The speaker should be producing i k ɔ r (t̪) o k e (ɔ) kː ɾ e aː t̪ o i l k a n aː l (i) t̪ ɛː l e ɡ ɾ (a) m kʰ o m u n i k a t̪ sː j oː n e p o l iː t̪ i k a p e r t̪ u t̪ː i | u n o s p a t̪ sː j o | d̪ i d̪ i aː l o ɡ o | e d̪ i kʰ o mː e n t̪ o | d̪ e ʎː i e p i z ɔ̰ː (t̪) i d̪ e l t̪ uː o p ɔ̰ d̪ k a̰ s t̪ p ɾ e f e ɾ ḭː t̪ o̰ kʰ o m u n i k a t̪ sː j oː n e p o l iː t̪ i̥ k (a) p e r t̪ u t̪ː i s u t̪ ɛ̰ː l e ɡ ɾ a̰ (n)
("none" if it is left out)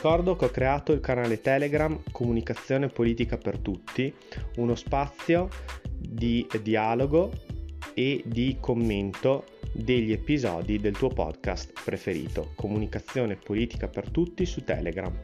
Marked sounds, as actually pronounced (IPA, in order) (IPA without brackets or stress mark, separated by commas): d̪, ɔ, e, a, d̪, a, m